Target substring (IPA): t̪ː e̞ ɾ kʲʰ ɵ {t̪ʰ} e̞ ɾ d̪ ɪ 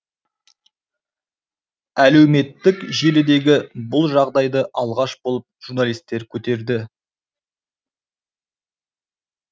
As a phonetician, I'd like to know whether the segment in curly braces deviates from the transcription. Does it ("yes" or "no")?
yes